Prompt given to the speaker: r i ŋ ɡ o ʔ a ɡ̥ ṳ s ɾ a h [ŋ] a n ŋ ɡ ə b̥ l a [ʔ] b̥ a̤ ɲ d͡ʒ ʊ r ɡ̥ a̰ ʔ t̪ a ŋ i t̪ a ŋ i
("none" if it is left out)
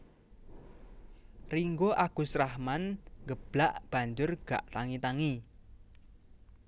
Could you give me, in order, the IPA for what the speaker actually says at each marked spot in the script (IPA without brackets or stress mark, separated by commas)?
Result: m, ʔ